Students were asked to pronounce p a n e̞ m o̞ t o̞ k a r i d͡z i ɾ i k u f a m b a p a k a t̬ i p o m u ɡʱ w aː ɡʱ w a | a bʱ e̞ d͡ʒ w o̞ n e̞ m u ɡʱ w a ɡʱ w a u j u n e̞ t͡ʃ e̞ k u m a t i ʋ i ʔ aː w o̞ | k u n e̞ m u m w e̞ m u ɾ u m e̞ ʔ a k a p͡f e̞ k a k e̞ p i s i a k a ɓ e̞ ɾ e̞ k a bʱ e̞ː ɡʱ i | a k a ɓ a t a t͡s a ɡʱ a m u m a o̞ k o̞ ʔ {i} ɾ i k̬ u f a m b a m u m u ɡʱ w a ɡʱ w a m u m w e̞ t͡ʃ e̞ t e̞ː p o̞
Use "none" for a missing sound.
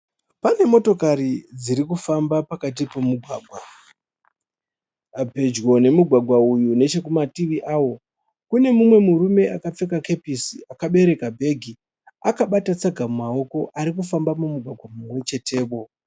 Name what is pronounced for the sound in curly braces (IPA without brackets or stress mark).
a